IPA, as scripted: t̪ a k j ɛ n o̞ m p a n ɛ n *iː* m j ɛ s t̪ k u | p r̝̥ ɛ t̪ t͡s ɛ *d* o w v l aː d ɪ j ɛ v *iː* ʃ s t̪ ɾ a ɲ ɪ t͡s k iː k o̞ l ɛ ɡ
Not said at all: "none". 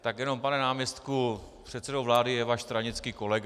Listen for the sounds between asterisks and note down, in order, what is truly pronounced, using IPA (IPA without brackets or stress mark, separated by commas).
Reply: aː, d, aː